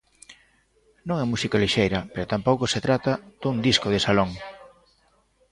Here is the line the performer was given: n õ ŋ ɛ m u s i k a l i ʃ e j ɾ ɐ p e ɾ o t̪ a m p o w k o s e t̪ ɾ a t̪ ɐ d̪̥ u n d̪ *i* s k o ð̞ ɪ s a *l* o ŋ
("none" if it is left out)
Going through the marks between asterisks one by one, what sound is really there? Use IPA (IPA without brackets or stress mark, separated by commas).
i, l